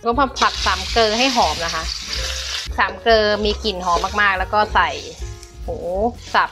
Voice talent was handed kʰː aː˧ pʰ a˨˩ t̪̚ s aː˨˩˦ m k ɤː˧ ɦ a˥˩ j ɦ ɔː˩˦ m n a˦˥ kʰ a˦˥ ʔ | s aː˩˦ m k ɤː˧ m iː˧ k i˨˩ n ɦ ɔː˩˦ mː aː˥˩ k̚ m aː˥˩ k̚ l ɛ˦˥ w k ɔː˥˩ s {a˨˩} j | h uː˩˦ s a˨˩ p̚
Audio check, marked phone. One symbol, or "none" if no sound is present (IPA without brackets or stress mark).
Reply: a˨˩